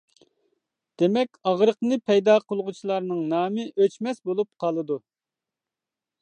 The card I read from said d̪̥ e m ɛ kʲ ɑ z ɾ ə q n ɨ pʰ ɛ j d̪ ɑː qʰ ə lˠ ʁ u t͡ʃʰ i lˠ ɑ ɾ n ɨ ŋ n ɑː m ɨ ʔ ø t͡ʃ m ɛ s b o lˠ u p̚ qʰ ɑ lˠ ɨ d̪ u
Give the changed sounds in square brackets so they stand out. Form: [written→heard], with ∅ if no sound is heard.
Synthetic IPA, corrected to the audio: d̪̥ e m ɛ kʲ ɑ [z→ʁ] ɾ ə q n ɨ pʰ ɛ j d̪ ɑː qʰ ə lˠ ʁ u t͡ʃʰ i lˠ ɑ ɾ n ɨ ŋ n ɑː m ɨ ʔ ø t͡ʃ m ɛ s b o lˠ u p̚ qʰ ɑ lˠ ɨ d̪ u